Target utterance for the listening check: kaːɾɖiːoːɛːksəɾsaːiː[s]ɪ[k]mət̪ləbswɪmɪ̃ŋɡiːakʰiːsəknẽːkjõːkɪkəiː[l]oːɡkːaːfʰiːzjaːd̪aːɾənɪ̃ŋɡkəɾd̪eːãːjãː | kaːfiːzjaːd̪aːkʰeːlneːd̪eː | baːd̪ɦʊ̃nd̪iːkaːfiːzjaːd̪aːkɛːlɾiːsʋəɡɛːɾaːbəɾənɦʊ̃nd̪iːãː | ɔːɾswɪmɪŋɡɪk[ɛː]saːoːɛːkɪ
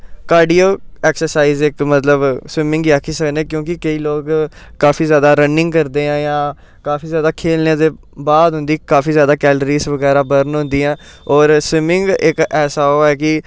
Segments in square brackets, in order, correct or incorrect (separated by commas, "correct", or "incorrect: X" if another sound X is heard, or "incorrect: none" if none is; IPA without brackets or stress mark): incorrect: z, correct, correct, correct